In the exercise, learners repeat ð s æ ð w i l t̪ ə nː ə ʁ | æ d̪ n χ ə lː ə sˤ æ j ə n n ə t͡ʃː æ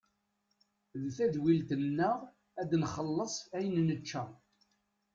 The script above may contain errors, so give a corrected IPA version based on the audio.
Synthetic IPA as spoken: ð θ æ ð w i l t̪ ə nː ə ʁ | æ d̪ n χ ə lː ə sˤ æ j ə n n ə t͡ʃː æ